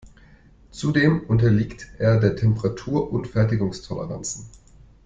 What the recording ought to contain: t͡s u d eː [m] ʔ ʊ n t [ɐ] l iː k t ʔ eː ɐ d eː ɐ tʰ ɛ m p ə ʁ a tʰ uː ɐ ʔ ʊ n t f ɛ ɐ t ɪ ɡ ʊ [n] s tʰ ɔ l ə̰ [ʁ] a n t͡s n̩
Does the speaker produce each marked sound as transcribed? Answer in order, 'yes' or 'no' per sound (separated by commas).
yes, yes, no, yes